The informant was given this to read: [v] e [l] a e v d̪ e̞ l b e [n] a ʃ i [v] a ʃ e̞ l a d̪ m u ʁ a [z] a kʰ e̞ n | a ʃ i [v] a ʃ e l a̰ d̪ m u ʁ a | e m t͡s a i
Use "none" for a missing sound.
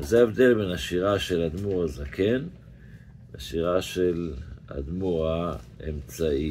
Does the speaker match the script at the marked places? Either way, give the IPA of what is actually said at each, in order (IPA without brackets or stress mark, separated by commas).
z, none, n, ʁ, z, ʁ